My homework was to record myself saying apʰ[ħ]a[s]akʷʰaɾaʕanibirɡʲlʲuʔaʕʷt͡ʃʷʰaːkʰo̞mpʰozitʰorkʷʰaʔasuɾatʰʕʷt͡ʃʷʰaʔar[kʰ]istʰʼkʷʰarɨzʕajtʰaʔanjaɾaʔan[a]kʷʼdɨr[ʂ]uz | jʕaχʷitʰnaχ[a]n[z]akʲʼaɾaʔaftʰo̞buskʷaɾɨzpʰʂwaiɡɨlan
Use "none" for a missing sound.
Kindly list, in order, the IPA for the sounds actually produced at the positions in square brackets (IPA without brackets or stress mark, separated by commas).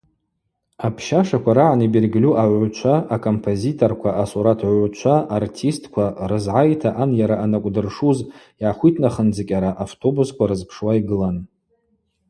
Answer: ʃ, ʂ, tʰ, a, ʂ, ə, d͡z